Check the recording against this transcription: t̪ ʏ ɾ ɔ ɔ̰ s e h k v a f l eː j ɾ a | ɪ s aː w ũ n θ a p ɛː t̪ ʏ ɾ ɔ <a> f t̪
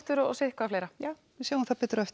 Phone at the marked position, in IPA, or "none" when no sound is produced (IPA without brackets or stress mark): ɛ